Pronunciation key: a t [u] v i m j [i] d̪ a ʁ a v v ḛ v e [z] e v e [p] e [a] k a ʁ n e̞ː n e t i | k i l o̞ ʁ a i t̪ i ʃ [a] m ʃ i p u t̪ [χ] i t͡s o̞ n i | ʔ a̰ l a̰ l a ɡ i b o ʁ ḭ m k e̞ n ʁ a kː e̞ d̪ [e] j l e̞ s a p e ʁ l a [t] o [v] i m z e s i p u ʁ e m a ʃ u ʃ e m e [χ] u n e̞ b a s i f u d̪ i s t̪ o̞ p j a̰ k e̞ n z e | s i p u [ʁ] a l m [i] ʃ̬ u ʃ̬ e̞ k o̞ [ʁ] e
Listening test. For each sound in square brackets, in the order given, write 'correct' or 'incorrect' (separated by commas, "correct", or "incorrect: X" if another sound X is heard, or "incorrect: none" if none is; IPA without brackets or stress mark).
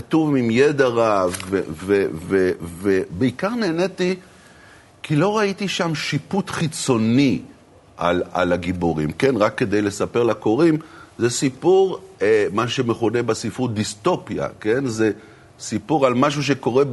correct, incorrect: e, incorrect: v, incorrect: b, incorrect: i, correct, correct, correct, incorrect: k, incorrect: ʁ, correct, correct, incorrect: a, correct